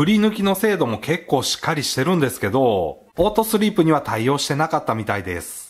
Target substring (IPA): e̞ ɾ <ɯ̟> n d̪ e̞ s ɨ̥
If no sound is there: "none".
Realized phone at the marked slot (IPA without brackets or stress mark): ɯ̟̃